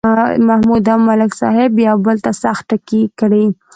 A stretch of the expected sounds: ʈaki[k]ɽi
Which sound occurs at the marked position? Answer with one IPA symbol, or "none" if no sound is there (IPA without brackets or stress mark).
k